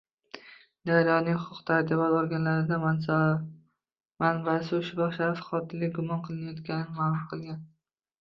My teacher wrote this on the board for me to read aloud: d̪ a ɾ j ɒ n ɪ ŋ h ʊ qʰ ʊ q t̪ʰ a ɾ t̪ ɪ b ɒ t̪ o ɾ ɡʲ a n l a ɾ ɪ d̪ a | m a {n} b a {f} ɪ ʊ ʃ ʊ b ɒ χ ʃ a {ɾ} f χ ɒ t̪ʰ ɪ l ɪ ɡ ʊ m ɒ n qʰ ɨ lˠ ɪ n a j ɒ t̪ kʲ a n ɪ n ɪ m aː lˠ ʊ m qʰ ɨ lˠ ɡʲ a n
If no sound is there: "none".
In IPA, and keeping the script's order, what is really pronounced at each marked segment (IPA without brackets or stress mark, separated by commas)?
n, s, ɾ